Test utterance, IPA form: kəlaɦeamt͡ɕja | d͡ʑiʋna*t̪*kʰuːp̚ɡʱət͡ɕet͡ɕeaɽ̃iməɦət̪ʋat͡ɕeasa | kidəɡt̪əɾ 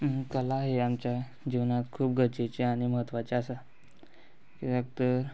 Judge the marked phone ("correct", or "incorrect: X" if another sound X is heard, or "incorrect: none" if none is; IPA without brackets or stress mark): correct